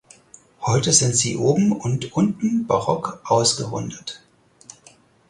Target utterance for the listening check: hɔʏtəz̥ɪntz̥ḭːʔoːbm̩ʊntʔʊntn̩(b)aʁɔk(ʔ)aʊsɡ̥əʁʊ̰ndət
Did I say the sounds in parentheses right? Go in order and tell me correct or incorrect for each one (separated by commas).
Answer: correct, correct